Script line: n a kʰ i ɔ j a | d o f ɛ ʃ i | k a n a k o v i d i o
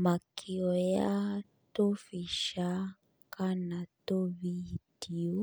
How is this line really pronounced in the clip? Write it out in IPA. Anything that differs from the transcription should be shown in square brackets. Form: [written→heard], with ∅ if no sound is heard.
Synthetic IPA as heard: [n→m] a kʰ i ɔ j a | [d→t] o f [ɛ→i] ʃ [i→a] | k a n a [k→t] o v i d i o